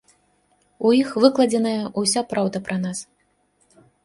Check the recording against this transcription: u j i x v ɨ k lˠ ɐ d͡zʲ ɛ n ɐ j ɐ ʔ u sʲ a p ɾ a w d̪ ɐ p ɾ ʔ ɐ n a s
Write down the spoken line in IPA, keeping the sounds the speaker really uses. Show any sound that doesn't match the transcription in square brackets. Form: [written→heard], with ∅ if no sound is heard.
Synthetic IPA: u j i x v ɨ k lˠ ɐ d͡zʲ ɛ n ɐ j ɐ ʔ u sʲ a p ɾ a w d̪ ɐ p ɾ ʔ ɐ n a s